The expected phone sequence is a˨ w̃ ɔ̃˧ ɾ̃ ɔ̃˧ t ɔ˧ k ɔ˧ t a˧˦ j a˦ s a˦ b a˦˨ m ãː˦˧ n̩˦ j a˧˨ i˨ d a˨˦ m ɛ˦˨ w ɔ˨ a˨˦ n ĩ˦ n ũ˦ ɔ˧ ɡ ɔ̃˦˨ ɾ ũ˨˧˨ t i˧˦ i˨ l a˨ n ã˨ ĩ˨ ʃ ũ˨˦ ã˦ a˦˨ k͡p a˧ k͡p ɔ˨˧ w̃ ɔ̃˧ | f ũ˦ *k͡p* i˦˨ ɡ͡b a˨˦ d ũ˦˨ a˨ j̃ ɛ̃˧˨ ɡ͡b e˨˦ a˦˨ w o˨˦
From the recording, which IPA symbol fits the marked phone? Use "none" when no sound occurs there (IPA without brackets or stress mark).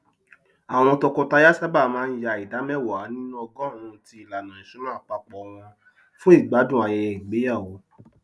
none